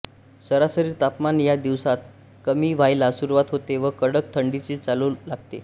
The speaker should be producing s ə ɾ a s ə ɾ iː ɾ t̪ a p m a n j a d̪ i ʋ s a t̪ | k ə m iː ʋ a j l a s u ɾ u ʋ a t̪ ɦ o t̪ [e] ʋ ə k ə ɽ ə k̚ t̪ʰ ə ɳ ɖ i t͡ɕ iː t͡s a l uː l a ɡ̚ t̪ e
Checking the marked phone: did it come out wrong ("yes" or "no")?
no